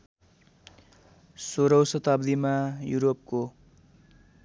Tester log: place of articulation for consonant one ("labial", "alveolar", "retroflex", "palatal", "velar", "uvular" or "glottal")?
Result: alveolar